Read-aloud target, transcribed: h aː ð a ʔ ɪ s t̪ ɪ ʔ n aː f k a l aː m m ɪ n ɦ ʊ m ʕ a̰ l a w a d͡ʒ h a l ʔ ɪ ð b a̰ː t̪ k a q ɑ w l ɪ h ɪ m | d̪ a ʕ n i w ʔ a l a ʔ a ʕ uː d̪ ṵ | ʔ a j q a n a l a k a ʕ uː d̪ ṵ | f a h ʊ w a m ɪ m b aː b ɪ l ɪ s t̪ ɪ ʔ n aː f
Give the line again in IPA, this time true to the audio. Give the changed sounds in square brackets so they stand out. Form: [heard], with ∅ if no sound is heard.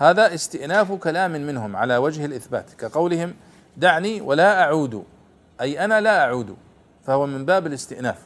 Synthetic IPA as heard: h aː ð a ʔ ɪ s t̪ ɪ ʔ n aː f k a l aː m m ɪ n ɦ ʊ m ʕ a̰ l a w a d͡ʒ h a l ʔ ɪ [θ] b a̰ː t̪ k a q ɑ w l ɪ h ɪ m | d̪ a ʕ n i w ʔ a l a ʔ a ʕ uː d̪ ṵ | ʔ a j [ʔ] a n a l a [ʔ] a ʕ uː d̪ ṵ | f a h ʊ w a m ɪ m b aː b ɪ l ɪ s t̪ ɪ ʔ n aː f